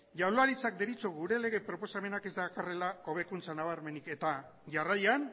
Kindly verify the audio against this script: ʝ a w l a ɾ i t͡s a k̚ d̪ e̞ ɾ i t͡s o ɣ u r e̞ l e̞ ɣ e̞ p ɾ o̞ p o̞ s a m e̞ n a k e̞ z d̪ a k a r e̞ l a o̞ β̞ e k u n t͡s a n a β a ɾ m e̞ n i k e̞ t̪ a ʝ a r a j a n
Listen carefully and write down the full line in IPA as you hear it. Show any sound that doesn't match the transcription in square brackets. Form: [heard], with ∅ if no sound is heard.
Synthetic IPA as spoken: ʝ a w l a ɾ i t͡s a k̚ d̪ e̞ ɾ i t͡s o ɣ u [ɾ] e̞ l e̞ ɣ e̞ p ɾ o̞ p o̞ s a m e̞ n a k e̞ z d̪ a k a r e̞ l a o̞ β̞ e k u n t͡s a n a β a ɾ m e̞ n i k e̞ t̪ a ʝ a r a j a n